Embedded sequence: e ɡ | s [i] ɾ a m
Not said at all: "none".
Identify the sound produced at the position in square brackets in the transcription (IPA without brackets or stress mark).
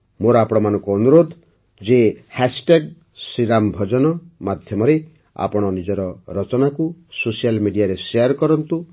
i